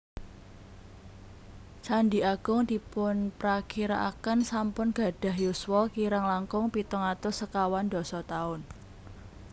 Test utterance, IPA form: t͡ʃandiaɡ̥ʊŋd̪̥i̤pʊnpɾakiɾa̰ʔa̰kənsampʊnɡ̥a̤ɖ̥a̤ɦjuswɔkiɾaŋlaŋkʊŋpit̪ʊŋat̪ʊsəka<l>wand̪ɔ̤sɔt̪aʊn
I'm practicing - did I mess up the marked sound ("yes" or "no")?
yes